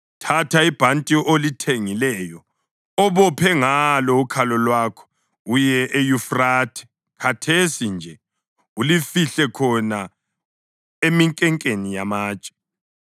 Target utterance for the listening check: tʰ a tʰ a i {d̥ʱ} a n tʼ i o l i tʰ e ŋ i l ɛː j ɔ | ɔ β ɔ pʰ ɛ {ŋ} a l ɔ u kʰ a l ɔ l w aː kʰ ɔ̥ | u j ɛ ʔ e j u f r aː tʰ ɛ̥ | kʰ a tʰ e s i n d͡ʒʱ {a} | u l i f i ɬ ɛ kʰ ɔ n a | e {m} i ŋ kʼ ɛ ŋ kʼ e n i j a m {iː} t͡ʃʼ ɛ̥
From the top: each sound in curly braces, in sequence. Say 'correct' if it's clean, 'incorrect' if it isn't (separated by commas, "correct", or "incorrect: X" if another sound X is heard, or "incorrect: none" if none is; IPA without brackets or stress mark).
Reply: incorrect: b̥ʱ, correct, incorrect: ɛ, correct, incorrect: aː